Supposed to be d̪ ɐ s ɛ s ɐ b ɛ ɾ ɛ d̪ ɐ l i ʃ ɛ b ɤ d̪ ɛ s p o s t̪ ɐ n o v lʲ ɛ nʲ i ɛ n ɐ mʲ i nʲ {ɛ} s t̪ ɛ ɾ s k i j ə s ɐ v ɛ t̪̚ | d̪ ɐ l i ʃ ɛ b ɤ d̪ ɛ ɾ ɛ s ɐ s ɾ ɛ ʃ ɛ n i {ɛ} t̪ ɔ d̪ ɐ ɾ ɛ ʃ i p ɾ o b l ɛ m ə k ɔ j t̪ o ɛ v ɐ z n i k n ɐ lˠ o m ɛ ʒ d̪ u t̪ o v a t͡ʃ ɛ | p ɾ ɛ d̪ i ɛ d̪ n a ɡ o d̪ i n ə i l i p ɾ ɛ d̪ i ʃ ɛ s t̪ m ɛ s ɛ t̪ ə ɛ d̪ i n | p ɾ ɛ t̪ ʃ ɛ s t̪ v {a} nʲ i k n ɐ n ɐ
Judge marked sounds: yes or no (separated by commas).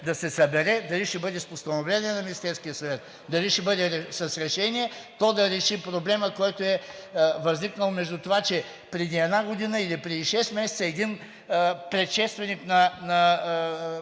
no, yes, no